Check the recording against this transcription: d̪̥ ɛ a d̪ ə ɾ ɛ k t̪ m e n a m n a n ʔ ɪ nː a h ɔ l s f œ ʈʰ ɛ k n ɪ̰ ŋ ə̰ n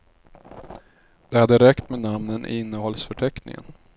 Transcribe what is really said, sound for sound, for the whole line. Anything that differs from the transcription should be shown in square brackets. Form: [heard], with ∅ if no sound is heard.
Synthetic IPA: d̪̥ ɛ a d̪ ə ɾ ɛ k t̪ m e n a m n [ə] n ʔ ɪ nː [ə] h ɔ l s f œ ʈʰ ɛ k n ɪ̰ ŋ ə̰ n